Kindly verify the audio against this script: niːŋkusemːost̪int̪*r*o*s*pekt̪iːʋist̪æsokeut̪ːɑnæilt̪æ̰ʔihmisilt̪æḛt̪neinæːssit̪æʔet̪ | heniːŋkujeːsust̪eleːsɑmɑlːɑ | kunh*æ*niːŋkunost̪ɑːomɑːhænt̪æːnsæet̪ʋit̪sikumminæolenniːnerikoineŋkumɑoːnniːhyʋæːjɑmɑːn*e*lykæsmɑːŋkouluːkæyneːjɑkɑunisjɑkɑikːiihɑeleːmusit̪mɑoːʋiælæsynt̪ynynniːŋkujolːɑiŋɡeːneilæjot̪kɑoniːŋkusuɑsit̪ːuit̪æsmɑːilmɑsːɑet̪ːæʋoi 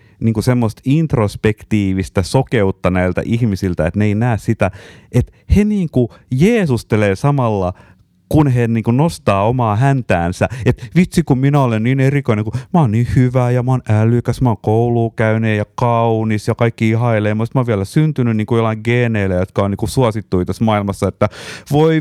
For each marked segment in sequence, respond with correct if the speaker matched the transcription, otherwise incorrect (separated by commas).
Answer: correct, correct, incorrect, incorrect